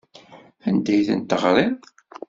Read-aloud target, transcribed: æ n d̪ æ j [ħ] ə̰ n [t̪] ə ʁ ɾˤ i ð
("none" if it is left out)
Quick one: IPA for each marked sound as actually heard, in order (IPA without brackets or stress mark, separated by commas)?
θ, t̪